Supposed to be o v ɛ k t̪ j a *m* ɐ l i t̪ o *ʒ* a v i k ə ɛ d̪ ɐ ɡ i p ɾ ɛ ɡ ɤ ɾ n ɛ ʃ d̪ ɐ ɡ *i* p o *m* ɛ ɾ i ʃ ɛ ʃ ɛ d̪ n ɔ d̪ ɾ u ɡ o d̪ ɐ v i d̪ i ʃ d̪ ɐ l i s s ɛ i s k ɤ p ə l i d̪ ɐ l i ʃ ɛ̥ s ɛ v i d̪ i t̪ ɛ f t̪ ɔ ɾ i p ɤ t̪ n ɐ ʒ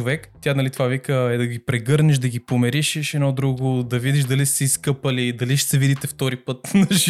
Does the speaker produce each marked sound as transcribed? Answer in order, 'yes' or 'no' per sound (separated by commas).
no, no, yes, yes